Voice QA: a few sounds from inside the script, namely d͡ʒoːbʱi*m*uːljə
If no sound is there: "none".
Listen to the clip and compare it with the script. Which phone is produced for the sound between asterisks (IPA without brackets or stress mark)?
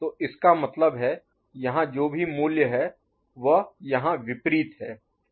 m